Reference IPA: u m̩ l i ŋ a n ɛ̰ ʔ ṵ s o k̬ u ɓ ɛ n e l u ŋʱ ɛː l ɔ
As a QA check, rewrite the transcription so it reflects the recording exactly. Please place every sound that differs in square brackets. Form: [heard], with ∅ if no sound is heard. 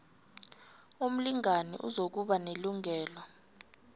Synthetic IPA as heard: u m̩ l i ŋ a n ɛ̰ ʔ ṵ [z] o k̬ u ɓ [a] n e l u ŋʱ ɛː l ɔ

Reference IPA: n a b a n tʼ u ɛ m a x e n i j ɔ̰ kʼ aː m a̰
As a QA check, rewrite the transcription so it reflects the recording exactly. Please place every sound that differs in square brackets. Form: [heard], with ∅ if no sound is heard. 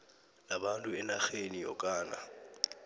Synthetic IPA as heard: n a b a n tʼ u ɛ [n] a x e n i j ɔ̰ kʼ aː [n] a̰

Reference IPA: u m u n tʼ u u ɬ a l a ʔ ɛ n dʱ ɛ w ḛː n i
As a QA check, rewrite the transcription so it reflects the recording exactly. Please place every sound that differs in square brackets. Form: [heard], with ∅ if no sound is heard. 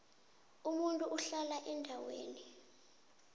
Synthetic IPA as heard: u m u n tʼ u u ɬ a l a ʔ ɛ n dʱ [a] w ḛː n i

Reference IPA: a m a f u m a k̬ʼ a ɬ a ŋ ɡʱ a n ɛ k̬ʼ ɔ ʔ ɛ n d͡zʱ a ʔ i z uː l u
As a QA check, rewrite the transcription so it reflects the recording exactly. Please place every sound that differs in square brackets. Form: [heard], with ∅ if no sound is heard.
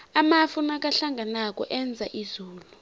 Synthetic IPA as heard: a m a f u [n] a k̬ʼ a ɬ a ŋ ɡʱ a n [a] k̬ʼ ɔ ʔ ɛ n d͡zʱ a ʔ i z uː l u

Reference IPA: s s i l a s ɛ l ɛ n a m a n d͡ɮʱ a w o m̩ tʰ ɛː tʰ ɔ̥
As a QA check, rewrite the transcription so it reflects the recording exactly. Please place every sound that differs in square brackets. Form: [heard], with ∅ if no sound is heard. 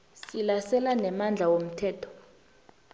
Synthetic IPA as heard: s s i l a s ɛ l [a] n [ɛ] m a n d͡ɮʱ a w o m̩ tʰ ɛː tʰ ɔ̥

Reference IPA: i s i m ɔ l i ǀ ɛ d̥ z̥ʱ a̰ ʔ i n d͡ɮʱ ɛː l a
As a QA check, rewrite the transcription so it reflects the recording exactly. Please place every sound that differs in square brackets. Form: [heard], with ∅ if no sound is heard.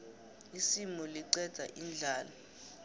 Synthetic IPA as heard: i s i m ɔ l i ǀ ɛ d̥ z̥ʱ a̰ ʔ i n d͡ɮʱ [aː] l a

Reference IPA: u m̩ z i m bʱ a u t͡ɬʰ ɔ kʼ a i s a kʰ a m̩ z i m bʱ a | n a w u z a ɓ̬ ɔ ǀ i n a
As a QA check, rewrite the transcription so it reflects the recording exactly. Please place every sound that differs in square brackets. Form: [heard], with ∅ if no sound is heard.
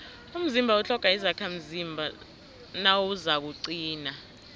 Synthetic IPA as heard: u m̩ z i m bʱ a u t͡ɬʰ ɔ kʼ a i [z] a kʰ a m̩ z i m bʱ a | n a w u z a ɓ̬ [u] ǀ [iː] n a

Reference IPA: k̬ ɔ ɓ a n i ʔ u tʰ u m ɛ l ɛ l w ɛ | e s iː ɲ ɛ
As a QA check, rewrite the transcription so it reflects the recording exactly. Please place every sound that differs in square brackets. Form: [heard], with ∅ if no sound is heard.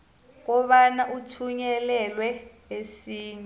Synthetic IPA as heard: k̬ ɔ ɓ a n [a] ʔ u tʰ u [ɲ] ɛ l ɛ l w ɛ | e s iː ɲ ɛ

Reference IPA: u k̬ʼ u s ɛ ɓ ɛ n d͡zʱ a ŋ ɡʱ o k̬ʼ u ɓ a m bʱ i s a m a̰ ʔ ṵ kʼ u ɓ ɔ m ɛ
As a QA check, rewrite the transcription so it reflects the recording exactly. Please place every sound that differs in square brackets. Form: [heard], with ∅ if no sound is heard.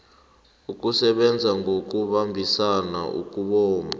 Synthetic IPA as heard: u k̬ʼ u s ɛ ɓ ɛ n d͡zʱ a ŋ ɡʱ o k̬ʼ u ɓ a m bʱ i s a [n] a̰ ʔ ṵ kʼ u ɓ [ɔː] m [a]

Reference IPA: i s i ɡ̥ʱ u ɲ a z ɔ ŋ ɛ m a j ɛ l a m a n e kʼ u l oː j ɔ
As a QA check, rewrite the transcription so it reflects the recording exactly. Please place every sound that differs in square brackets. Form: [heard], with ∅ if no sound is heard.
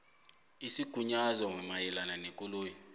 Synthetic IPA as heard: i s i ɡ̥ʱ u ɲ a z ɔ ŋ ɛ m a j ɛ l a [n] a n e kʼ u l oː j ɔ

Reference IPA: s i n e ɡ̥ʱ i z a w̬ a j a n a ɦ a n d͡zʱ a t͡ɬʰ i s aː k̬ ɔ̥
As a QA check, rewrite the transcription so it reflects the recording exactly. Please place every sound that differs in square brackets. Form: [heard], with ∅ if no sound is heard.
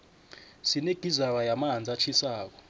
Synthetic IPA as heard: s i n e ɡ̥ʱ i z a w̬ a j a [m] a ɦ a n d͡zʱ a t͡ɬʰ i s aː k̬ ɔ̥

